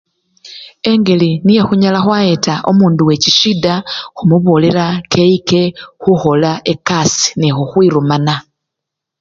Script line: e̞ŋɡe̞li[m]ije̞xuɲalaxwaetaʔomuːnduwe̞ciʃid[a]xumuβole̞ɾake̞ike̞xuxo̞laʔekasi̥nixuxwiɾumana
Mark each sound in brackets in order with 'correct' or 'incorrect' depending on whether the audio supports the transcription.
incorrect: n, correct

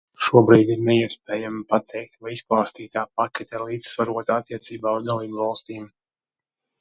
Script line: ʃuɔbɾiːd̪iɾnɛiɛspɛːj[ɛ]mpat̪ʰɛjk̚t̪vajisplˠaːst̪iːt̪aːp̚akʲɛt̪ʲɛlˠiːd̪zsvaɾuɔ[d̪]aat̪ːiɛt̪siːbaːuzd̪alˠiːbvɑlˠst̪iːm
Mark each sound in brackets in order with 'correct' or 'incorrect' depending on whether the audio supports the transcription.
incorrect: a, incorrect: t̪

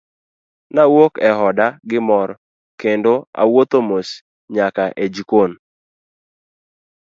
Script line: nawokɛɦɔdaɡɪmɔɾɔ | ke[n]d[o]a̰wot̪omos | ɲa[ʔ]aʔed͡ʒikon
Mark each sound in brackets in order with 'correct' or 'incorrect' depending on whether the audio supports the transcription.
correct, correct, incorrect: k

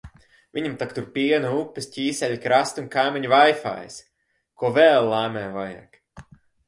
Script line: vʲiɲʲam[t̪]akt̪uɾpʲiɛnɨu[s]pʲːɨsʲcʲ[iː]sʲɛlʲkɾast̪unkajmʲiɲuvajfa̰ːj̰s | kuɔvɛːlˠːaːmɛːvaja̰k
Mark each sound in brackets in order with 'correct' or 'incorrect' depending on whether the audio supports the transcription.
correct, incorrect: none, correct

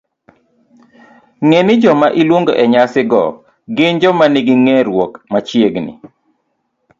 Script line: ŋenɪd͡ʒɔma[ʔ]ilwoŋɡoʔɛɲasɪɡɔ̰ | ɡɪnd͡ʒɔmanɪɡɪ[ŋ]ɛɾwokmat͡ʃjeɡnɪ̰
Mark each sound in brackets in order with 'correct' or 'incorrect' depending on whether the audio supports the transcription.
correct, correct

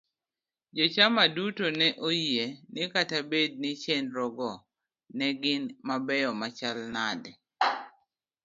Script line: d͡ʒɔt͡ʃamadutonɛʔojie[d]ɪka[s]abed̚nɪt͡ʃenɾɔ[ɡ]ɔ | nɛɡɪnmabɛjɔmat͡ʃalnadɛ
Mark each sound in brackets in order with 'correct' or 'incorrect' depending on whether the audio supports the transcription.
incorrect: n, incorrect: t, correct

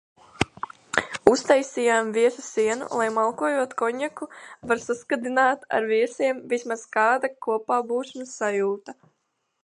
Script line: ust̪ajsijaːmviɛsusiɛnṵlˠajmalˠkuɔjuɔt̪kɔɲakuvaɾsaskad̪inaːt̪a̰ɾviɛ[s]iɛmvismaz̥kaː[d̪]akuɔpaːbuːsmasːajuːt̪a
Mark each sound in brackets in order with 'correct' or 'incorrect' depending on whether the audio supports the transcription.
correct, correct

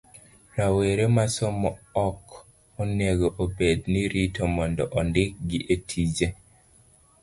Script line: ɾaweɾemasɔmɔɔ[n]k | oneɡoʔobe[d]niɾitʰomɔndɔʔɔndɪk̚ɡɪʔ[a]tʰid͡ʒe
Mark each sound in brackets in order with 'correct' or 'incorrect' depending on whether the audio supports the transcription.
incorrect: none, correct, incorrect: e

